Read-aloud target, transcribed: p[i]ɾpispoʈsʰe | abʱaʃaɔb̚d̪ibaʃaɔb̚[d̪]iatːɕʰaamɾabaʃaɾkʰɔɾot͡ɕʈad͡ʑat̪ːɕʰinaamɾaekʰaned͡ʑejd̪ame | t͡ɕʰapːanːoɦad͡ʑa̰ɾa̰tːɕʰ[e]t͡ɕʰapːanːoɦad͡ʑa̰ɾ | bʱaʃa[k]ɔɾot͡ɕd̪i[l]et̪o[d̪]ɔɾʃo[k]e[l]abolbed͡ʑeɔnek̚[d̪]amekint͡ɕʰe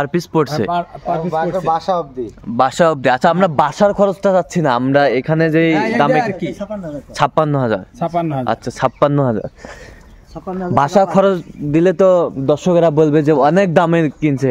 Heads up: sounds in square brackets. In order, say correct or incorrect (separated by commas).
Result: incorrect, correct, incorrect, incorrect, correct, correct, correct, incorrect, correct